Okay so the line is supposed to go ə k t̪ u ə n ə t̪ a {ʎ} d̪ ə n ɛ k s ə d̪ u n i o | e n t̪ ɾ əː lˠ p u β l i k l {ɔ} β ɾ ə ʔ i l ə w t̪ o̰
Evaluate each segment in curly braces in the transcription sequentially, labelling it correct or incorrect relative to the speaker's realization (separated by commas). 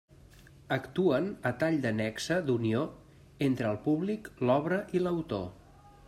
correct, correct